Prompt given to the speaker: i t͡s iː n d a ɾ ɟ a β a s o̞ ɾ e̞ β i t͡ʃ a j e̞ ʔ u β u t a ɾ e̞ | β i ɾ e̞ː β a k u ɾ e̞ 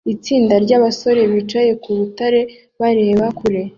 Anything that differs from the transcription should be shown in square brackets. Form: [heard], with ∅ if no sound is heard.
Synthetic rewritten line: i t͡s iː n d a ɾ ɟ a β a s o̞ ɾ e̞ β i t͡ʃ a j e̞ [k] u β u t a ɾ e̞ | β [a] ɾ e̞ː β a k u ɾ e̞